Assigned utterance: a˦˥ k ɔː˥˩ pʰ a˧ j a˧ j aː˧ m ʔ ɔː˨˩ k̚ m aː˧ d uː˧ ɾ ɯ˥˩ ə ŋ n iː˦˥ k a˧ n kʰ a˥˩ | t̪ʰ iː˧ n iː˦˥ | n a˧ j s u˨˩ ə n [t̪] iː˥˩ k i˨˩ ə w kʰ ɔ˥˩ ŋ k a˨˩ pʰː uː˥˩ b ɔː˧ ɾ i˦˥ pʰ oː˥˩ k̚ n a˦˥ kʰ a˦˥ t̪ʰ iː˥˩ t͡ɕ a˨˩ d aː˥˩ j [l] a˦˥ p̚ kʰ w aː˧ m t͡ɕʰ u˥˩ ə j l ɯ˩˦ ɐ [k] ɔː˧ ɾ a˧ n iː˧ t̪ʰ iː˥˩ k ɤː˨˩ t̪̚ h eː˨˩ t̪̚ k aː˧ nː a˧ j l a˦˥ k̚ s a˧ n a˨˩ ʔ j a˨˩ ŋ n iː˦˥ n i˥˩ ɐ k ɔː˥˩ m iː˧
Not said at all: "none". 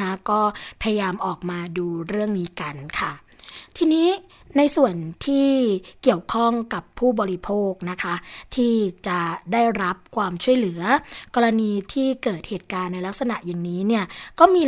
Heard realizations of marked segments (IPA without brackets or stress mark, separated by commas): t̪ʰ, ɾ, k